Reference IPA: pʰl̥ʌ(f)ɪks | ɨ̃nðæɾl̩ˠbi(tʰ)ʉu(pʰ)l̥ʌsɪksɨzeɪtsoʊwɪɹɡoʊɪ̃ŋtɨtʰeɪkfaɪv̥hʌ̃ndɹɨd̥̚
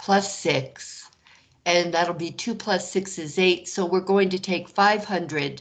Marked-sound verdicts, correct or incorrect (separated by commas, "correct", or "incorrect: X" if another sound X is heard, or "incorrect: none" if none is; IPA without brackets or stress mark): incorrect: s, correct, correct